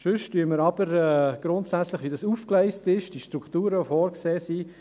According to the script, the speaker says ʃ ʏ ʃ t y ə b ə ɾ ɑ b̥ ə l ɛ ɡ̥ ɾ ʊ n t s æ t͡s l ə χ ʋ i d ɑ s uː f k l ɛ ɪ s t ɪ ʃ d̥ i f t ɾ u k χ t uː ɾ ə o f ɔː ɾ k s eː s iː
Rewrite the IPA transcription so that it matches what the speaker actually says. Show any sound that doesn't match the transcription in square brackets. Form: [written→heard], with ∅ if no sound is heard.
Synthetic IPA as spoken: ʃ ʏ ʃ t y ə [b→m] ə ɾ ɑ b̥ ə [l→ɾ] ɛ ɡ̥ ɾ ʊ n t s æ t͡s l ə χ ʋ i d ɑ s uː f k l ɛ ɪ s t ɪ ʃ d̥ i [f→ʃ] t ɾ u k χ t uː ɾ ə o f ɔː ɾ k s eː s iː

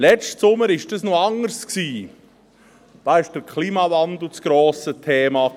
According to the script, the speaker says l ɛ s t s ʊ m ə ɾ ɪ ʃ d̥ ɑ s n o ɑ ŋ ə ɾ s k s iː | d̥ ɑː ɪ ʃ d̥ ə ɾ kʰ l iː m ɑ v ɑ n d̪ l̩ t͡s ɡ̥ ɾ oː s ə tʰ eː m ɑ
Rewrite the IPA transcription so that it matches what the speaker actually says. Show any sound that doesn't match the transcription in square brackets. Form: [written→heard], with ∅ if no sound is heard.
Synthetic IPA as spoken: l ɛ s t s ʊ m ə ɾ ɪ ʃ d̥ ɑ s n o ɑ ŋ ə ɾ s k s iː | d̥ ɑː ɪ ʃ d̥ ə ɾ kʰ l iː m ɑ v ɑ n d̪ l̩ t͡s ɡ̥ ɾ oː s ə tʰ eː m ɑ

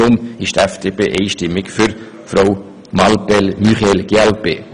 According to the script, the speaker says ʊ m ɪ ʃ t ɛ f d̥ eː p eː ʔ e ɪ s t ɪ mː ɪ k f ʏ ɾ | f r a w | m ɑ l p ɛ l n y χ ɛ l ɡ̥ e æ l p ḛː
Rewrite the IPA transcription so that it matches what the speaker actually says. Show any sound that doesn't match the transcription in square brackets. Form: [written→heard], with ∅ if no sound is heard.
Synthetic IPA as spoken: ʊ m ɪ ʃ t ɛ f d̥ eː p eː ʔ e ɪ [s→ʃ] t ɪ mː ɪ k f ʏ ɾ | f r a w | m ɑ l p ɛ l [n→m] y χ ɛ l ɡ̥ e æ l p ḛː

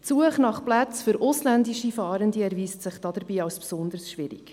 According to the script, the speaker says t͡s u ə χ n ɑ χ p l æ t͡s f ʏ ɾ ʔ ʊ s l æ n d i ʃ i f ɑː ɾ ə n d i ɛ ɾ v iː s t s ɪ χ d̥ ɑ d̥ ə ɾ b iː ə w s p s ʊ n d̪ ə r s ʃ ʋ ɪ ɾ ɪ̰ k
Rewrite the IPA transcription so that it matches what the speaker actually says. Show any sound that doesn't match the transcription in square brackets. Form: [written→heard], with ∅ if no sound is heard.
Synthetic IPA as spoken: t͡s u ə χ n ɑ χ p l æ t͡s f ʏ ɾ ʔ ʊ s l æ n d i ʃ i f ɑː ɾ ə n d i ɛ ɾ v iː s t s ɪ χ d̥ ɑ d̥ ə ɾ b iː [ə→ɑ] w s p s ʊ n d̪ ə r s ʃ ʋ ɪ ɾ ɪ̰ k

